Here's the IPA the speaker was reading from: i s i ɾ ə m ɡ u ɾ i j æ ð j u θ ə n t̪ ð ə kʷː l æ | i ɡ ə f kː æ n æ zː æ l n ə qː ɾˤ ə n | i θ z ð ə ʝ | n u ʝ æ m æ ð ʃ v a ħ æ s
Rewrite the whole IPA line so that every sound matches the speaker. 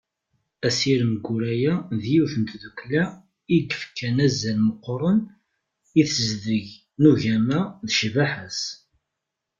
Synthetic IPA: æ s i ɾ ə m ɡ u ɾ æ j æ ð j u θ ə n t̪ ð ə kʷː l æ | i ɡ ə f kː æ n æ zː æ l m ə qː ɾˤ ə n | i θ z ð ə ʝ | n u ʝ æ m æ ð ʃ v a ħ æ s

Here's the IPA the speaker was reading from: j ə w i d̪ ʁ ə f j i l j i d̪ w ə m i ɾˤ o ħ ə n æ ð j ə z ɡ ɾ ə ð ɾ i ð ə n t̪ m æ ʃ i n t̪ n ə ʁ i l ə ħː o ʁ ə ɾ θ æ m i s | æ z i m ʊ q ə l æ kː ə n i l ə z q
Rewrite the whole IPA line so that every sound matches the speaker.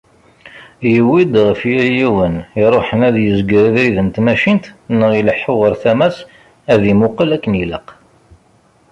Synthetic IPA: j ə w i d̪ ʁ ə f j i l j i w ə n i ɾˤ o ħ ə n æ ð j ə z ɡ ɾ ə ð ɾ i ð ə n t̪ m æ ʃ i n t̪ n ə ʁ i l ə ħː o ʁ ə ɾ θ æ m æ s | æ ð i m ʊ q ə l æ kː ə n i l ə q

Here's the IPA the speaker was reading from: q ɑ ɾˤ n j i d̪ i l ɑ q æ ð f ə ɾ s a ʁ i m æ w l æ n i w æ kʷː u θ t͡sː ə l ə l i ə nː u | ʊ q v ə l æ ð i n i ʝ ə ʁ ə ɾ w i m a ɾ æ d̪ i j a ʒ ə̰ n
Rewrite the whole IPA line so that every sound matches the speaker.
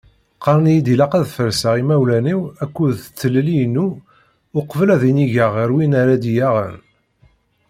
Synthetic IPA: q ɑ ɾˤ n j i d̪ i l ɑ q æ ð f ə ɾ s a ʁ i m æ w l æ n i w æ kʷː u ð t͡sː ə l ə l i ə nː u | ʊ q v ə l æ ð i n i ʝ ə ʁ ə ɾ w i n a ɾ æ d̪ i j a ʁ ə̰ n

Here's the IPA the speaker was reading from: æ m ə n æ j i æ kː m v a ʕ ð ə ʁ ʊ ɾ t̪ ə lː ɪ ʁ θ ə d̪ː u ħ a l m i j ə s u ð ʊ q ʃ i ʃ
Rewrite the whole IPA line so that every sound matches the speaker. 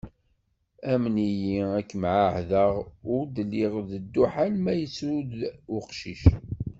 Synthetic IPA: æ m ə n i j i æ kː m ʕ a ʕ ð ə ʁ ʊ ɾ d̪ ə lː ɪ ʁ ð ə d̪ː u ħ a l m æ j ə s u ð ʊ q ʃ i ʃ

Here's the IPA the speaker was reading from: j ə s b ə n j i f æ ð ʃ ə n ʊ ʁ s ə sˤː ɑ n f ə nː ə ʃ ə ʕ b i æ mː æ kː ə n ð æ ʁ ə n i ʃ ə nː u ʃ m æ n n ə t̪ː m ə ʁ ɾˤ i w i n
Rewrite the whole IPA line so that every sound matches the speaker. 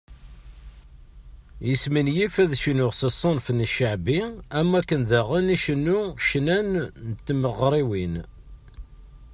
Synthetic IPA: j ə s m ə n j i f æ ð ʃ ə n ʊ ʁ s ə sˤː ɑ n f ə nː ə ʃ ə ʕ b i æ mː æ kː ə n ð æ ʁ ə n i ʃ ə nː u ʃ n æ n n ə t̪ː m ə ʁ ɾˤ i w i n

